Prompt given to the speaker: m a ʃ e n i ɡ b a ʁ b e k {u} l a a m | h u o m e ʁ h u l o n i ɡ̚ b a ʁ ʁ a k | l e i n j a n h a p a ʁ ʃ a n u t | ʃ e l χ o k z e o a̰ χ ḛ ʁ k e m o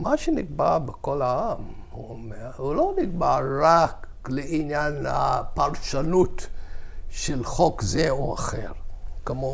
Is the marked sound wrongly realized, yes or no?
yes